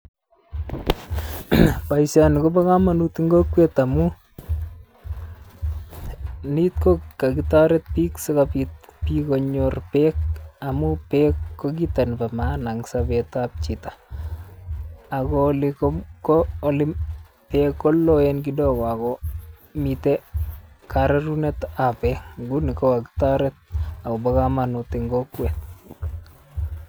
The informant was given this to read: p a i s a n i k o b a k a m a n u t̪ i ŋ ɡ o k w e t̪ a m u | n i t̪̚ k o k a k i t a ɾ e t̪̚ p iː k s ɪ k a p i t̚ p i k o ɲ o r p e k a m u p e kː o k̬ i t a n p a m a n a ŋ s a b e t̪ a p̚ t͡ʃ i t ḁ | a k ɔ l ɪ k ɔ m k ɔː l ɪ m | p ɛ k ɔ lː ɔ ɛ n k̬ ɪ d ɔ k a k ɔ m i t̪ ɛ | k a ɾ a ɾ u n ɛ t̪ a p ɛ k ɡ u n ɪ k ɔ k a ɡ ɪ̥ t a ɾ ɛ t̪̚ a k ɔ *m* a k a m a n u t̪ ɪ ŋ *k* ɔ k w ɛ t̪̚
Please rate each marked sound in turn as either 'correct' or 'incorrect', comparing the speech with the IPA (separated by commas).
incorrect, incorrect